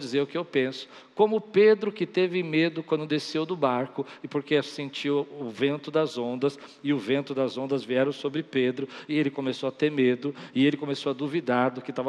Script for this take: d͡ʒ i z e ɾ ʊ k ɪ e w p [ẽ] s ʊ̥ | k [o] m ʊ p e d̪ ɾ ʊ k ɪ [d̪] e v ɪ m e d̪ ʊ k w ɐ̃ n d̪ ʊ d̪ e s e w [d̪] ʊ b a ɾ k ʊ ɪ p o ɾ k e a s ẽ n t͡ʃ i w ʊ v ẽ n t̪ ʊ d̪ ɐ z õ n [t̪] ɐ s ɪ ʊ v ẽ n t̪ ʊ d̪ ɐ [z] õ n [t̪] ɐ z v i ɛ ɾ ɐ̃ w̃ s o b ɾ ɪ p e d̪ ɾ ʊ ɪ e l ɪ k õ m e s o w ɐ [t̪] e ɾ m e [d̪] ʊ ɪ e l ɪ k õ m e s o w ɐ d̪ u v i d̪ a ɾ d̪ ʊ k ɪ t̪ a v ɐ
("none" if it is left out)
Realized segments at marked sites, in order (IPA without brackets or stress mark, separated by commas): ẽ, õ, t̪, d̪, d̪, z, d̪, t̪, d̪